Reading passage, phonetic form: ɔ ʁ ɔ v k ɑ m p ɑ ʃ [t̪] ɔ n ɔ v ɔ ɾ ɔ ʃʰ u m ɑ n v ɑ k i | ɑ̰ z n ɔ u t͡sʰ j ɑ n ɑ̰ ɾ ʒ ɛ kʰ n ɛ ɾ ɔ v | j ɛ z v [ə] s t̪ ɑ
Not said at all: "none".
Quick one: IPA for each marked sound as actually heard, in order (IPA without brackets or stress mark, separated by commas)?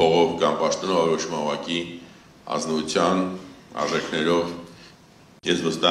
t̪, ə